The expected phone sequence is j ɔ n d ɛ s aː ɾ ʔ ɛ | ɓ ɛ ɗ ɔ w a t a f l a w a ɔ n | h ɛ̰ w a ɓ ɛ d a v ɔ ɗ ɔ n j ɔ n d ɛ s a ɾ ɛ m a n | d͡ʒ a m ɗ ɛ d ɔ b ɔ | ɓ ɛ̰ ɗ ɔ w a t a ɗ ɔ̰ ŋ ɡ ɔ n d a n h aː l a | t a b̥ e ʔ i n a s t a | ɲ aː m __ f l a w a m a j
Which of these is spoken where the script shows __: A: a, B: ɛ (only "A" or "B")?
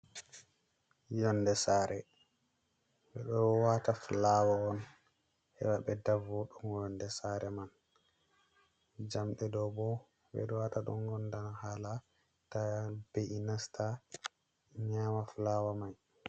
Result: A